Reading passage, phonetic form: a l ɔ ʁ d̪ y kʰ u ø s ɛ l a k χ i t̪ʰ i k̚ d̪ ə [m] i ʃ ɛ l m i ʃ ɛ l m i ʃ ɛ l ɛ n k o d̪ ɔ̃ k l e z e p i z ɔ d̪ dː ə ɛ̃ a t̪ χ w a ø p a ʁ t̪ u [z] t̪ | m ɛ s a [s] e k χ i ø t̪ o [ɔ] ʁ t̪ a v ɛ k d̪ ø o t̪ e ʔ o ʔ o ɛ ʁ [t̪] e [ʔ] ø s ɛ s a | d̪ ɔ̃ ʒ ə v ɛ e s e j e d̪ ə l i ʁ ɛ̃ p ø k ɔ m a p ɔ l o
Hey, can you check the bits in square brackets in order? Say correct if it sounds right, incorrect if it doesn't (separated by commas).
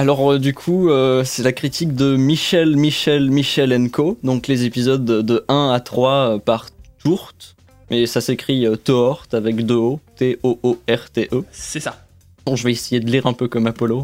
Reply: correct, incorrect, correct, correct, correct, correct